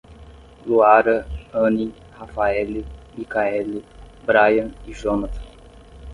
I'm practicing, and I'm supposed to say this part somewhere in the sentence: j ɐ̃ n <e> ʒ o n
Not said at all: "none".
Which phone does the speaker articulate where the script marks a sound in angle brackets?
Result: i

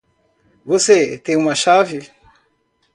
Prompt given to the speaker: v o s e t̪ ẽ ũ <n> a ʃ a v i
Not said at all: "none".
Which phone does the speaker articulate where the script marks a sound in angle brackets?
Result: m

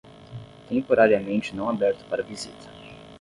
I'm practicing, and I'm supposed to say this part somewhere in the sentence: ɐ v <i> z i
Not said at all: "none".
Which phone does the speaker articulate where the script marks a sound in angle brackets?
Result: i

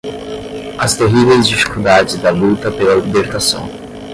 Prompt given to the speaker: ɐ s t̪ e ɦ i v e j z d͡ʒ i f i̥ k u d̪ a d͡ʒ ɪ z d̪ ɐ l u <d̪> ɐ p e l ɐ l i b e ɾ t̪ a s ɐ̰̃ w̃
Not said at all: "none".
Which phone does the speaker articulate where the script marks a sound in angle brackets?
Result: t̪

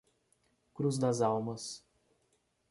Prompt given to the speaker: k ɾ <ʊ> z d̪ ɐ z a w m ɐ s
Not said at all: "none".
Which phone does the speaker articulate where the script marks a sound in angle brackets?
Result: u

